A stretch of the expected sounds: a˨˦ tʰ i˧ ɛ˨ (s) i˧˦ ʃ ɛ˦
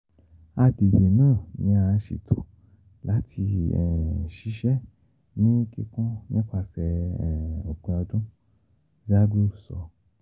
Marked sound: incorrect: ʃ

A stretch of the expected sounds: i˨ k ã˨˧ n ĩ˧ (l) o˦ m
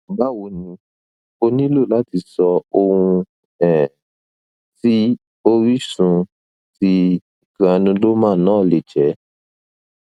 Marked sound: correct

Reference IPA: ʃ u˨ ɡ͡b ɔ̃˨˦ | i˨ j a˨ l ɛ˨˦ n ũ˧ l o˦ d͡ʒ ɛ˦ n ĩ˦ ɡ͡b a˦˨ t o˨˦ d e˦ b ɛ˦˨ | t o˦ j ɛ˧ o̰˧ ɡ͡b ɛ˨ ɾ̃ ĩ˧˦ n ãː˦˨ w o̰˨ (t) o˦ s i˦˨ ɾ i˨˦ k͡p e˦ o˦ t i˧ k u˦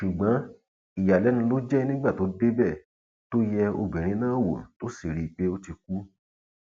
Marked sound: correct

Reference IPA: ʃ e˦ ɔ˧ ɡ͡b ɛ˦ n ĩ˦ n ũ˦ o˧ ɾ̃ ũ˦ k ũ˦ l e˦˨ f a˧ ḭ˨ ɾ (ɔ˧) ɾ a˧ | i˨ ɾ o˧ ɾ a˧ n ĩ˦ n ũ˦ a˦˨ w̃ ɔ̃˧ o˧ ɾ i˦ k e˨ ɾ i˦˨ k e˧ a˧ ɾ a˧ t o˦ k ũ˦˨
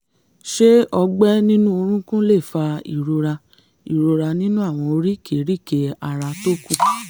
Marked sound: incorrect: o˧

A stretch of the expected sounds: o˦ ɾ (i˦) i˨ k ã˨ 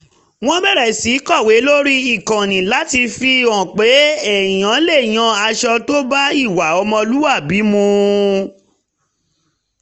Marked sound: correct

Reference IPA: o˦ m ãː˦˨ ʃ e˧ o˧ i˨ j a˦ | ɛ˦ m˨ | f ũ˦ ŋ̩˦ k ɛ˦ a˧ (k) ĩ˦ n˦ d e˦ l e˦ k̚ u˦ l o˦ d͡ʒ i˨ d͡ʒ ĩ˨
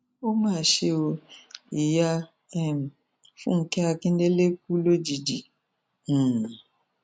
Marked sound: correct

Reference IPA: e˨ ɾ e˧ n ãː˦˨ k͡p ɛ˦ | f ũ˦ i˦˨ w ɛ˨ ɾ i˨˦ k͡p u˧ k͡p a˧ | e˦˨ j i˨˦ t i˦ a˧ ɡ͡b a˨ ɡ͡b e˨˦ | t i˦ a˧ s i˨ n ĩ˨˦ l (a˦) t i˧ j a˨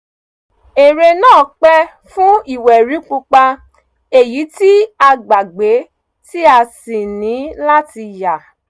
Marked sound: correct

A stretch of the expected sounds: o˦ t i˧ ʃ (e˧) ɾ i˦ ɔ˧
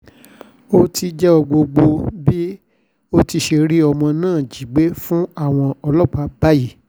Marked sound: correct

